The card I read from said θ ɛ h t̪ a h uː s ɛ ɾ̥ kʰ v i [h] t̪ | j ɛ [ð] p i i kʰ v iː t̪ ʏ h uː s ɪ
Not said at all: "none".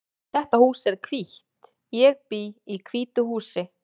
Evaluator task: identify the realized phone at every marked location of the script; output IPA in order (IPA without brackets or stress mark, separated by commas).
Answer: h, ɣ